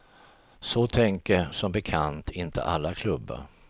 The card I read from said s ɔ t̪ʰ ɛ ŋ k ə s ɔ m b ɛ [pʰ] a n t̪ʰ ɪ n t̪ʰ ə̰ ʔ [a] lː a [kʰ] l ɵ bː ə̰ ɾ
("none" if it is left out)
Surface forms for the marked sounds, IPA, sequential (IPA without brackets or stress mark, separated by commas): kʰ, a, kʰ